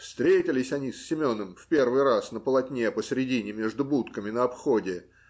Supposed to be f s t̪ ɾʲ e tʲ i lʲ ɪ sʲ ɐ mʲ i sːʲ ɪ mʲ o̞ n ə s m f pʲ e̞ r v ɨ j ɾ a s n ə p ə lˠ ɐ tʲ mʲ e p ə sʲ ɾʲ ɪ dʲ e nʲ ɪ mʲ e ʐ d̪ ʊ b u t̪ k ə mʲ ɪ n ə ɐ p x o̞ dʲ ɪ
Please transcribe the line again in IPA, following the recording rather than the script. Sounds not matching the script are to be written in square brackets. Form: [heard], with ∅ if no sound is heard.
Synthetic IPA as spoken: f s t̪ ɾʲ e tʲ [ɪ] lʲ ɪ sʲ ɐ [nʲ] i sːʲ ɪ mʲ o̞ n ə [∅] m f pʲ e̞ r v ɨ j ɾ a s n ə p ə lˠ ɐ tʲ [nʲ] e p ə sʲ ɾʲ ɪ dʲ [i] nʲ ɪ mʲ e ʐ d̪ ʊ b u t̪ k ə mʲ ɪ n ə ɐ p x o̞ dʲ ɪ